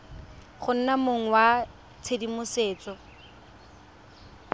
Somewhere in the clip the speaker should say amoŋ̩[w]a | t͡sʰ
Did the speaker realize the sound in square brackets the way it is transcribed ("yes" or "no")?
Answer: yes